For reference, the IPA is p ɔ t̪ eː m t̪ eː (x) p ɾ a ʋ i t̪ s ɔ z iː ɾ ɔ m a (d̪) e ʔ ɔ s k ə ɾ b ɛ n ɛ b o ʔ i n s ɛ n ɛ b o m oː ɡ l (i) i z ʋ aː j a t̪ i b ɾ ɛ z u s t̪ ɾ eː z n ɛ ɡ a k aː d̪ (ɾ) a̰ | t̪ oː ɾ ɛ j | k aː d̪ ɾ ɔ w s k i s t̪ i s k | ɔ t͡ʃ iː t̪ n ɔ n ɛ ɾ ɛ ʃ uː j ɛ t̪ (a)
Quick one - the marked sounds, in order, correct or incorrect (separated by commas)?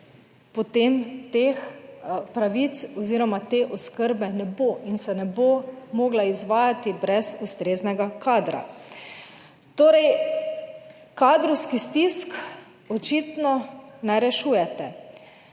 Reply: correct, incorrect, incorrect, correct, incorrect